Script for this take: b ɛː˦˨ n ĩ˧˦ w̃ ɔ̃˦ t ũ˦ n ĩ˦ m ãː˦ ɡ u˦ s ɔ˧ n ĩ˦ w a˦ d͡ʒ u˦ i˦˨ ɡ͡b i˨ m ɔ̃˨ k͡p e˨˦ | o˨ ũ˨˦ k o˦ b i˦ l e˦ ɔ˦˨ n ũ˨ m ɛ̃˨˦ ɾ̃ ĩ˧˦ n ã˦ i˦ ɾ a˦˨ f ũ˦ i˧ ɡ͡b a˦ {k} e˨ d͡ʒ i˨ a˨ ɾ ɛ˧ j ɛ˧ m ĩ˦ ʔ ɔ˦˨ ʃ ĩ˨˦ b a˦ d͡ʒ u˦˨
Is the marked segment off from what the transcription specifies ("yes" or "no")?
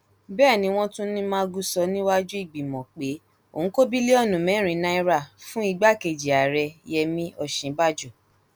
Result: no